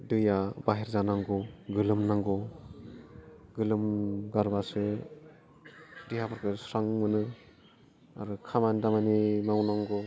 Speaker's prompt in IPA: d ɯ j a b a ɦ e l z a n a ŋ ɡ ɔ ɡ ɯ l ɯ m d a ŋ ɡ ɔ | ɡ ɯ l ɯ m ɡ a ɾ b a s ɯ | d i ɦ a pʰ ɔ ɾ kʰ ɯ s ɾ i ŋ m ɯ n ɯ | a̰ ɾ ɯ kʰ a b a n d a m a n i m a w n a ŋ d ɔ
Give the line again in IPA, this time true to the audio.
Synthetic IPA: d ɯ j a b a ɦ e ɾ z a n a ŋ ɡ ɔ ɡ ɯ l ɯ m n a ŋ ɡ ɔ | ɡ ɯ l ɯ m ɡ a ɾ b a s ɯ | d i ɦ a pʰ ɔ ɾ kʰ ɯ s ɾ a ŋ m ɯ n ɯ | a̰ ɾ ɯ kʰ a m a n d a m a n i m a w n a ŋ ɡ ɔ